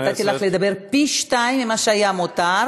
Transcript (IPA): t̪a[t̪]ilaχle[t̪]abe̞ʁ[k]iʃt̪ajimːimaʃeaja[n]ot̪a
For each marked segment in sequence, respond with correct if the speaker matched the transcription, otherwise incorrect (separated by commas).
correct, incorrect, incorrect, incorrect